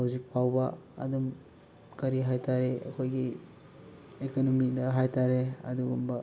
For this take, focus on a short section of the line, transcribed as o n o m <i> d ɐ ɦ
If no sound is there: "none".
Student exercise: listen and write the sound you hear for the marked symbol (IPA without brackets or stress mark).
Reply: i